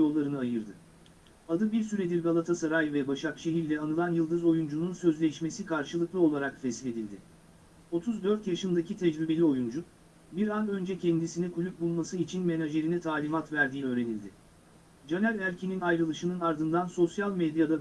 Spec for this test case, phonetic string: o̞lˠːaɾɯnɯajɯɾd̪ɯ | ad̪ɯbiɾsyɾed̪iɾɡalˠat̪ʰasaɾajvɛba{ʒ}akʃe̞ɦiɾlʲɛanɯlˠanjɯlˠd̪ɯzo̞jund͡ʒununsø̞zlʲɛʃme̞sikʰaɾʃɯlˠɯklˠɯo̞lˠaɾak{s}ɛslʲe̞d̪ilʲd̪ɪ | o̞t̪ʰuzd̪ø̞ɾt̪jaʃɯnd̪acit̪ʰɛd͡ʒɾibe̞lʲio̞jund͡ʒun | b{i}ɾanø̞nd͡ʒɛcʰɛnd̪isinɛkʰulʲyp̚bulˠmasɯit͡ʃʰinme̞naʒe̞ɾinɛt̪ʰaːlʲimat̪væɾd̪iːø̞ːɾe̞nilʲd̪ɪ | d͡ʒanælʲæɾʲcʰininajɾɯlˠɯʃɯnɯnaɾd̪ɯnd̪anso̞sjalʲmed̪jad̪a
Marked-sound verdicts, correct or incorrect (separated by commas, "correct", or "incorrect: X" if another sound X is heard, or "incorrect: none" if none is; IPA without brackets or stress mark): incorrect: ʃ, incorrect: f, correct